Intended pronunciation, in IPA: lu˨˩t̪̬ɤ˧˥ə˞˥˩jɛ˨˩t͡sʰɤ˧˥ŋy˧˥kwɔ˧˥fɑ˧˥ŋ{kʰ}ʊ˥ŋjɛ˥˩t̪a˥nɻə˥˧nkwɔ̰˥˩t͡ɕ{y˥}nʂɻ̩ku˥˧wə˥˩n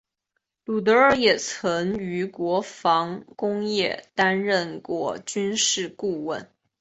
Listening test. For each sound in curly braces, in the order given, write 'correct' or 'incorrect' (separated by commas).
incorrect, correct